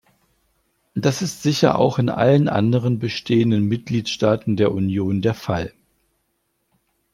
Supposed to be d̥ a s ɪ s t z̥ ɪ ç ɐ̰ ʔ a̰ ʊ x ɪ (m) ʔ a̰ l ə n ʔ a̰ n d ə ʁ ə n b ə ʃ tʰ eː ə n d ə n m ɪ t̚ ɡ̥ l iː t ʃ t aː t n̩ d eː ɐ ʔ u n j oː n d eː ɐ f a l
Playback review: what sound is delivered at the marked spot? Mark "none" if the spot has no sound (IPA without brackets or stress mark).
n